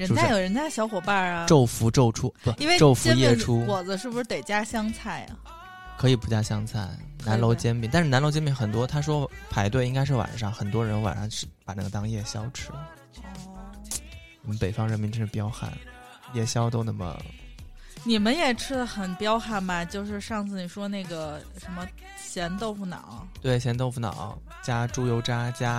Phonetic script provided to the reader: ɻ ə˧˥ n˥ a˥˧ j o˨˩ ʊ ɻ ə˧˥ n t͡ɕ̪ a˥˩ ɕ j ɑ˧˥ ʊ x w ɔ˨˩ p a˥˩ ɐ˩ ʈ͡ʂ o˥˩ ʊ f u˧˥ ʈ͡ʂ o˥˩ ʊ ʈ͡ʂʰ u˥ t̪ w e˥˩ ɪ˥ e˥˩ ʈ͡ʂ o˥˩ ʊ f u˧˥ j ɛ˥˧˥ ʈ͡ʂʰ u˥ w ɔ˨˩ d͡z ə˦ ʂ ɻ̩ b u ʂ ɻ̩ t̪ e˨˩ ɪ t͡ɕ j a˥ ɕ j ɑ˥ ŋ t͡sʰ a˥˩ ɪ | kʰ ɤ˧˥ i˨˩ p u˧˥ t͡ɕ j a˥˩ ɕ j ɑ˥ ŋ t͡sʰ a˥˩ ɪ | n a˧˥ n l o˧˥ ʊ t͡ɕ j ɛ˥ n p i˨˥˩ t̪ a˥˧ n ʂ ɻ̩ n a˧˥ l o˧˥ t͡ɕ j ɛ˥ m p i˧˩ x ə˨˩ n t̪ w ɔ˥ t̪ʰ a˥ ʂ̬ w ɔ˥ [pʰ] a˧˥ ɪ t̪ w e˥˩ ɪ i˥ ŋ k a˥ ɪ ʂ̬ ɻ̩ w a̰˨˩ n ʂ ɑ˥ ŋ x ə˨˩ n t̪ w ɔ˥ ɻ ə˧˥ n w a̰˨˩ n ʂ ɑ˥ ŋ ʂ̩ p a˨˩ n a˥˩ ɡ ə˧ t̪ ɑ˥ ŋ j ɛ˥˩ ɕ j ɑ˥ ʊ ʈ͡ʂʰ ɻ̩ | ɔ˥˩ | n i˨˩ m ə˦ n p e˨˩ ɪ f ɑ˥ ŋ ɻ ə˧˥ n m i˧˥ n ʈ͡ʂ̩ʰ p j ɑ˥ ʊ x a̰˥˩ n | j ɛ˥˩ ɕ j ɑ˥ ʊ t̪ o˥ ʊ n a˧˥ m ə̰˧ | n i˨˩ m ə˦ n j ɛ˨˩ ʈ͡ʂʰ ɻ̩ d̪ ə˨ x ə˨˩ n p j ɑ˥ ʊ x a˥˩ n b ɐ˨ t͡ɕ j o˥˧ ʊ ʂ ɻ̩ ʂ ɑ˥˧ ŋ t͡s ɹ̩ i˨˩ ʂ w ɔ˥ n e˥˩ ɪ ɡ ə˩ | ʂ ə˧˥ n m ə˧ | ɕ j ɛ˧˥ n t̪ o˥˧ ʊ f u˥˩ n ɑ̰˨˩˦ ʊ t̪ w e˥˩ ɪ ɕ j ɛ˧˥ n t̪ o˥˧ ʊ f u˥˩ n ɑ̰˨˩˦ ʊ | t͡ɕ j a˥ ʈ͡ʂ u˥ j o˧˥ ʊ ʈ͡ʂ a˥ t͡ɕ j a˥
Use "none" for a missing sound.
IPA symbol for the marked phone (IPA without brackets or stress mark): pʰ